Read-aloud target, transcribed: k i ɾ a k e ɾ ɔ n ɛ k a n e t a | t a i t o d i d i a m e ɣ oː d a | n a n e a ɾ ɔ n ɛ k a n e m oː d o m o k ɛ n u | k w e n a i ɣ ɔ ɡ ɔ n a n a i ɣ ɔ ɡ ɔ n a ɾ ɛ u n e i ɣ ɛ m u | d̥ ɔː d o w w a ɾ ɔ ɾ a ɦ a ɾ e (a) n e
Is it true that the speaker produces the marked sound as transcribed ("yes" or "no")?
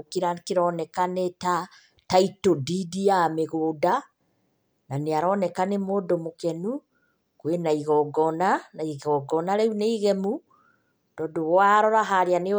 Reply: yes